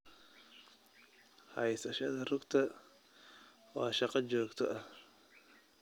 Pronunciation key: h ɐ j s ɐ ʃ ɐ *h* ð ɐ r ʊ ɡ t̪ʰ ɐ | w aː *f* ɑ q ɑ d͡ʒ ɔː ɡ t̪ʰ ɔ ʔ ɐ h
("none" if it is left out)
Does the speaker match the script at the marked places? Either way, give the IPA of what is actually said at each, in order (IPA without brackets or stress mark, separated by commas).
none, ʃ